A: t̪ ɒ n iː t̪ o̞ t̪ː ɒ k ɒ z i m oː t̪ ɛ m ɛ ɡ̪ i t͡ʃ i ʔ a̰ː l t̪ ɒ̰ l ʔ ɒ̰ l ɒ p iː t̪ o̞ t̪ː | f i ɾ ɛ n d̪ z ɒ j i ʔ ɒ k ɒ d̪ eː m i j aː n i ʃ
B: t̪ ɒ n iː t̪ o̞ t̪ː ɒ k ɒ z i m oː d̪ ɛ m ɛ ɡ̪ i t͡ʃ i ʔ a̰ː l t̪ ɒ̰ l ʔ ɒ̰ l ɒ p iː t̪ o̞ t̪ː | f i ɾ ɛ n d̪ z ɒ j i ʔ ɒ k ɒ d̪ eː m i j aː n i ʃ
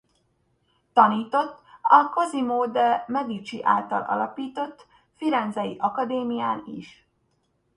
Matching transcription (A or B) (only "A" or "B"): B